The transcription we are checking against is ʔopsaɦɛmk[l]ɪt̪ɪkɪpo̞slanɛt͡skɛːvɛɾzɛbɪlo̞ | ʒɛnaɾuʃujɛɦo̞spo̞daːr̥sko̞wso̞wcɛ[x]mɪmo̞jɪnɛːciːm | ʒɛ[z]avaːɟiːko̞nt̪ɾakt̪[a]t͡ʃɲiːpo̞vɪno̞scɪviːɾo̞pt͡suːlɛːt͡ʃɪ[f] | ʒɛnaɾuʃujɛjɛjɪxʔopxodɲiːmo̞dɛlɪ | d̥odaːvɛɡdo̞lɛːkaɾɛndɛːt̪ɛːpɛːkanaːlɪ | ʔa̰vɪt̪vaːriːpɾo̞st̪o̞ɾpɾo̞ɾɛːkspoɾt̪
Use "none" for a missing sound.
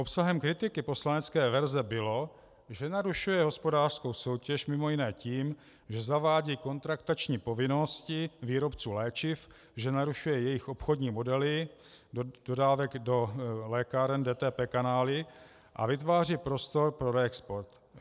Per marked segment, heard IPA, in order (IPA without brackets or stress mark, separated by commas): ɾ, ʃ, z, a, f